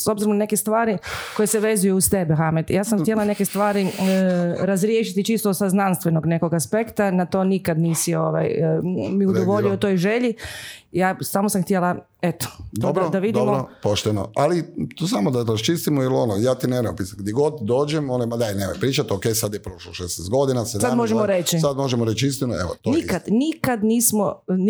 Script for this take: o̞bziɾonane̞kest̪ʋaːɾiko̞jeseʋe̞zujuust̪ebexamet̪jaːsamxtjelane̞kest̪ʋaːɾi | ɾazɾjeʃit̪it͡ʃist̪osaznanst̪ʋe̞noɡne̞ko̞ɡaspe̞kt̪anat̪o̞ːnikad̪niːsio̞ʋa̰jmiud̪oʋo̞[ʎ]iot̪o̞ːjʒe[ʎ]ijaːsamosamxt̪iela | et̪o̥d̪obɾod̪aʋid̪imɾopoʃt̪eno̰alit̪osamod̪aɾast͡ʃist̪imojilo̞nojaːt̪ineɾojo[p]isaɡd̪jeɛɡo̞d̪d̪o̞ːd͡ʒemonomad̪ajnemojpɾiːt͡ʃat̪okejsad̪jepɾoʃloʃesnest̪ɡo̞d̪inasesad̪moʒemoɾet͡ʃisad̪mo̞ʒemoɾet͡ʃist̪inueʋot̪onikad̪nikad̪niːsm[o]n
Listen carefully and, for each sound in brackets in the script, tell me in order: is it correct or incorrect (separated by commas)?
correct, correct, correct, correct